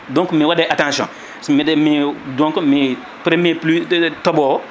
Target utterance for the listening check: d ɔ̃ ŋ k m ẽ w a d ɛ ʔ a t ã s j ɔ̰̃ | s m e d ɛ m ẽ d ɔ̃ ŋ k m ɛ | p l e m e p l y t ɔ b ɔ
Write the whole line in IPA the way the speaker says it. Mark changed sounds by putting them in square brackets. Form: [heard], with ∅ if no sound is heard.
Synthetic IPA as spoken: d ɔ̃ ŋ k m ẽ w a d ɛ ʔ a t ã s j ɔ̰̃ | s m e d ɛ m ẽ d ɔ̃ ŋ k m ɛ | p [ɾ] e m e p l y t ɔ b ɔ